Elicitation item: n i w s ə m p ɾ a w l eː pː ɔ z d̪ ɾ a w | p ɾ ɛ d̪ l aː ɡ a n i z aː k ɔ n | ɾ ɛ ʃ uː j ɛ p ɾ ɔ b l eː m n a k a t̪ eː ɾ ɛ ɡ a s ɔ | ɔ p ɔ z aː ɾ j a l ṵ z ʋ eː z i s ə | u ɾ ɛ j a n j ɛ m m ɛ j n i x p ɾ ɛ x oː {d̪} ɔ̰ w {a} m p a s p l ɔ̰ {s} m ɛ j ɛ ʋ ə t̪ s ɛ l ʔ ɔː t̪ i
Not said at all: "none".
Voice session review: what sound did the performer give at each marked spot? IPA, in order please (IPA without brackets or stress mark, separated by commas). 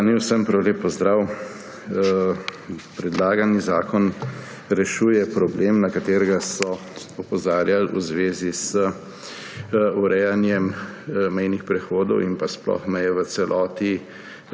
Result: d̪, i, x